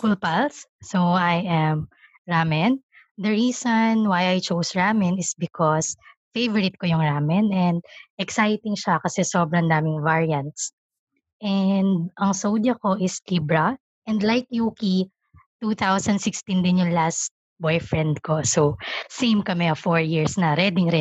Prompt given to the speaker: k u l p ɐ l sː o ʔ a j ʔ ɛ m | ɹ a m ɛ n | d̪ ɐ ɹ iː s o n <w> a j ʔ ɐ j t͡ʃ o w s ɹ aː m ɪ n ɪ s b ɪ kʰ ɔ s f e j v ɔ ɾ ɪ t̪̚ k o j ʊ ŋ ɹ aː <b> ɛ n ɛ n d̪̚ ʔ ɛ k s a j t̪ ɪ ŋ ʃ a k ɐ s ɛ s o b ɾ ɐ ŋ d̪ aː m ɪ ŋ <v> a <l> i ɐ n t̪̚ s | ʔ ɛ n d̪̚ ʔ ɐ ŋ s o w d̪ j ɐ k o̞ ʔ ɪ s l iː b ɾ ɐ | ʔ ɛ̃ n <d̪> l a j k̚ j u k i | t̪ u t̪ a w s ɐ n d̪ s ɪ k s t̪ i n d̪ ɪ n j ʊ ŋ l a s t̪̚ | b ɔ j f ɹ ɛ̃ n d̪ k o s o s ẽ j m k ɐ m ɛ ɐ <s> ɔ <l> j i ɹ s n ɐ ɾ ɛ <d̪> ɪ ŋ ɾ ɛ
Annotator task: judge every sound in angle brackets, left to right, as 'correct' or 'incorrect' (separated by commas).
correct, incorrect, correct, incorrect, correct, incorrect, incorrect, correct